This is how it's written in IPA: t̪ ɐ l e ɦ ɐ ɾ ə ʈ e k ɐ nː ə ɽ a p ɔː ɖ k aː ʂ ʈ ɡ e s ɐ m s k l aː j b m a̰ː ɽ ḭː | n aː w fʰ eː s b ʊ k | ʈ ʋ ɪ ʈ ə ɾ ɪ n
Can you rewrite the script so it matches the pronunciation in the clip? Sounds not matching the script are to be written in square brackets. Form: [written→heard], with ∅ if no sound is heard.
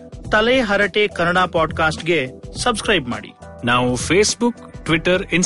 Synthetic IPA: t̪ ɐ l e ɦ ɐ ɾ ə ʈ e k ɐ [nː→n] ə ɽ a p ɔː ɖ k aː [ʂ→s] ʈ ɡ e s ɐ [m→b] s k [l→ɾ] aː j b m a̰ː ɽ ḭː | n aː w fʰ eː s b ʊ k | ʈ ʋ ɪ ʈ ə ɾ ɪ n